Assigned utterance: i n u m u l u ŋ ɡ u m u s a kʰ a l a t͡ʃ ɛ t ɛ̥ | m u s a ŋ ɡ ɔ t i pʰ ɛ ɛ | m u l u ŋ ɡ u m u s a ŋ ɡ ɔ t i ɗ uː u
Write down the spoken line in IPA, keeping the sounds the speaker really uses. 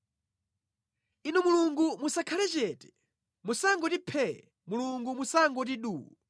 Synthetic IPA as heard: i n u m u l u ŋ ɡ u m u s a kʰ a l ɛ t͡ʃ ɛ t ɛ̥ | m u s a ŋ ɡ ɔ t i pʰ ɛ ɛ | m u l u ŋ ɡ u m u s a ŋ ɡ ɔ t i ɗ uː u